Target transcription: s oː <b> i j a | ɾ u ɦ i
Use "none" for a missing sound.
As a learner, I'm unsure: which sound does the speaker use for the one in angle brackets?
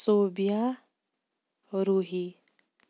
b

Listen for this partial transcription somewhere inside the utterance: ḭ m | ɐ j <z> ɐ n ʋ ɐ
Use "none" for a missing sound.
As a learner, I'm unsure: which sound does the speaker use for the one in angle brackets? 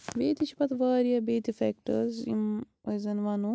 z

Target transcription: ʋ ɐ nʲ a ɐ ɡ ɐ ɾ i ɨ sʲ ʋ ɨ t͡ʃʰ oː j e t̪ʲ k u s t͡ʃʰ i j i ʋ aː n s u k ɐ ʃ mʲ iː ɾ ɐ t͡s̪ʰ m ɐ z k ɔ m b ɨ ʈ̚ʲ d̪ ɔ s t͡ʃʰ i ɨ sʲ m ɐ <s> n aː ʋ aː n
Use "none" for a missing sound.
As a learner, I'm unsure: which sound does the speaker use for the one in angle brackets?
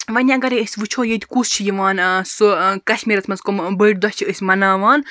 none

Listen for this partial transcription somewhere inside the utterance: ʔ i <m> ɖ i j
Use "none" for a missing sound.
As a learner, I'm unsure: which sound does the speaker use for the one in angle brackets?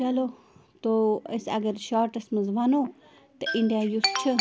ɳ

